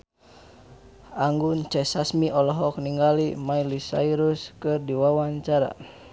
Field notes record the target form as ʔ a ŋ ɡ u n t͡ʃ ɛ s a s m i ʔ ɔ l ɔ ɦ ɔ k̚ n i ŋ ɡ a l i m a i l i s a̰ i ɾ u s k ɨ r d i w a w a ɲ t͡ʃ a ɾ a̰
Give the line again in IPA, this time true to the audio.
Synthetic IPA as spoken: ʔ a ŋ ɡ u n t͡ʃ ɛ s a s m i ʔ ɔ l ɔ ɦ ɔ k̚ n i ŋ ɡ a l i m a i l i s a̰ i ɾ u s k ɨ r d i w a w a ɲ t͡ʃ a ɾ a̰